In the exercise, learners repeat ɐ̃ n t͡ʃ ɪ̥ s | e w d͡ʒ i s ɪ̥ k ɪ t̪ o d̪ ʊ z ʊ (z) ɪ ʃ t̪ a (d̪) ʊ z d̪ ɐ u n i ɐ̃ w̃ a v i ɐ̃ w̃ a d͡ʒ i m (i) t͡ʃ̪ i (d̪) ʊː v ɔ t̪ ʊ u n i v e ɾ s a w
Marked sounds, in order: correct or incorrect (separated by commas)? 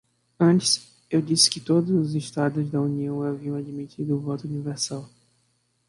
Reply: correct, correct, correct, correct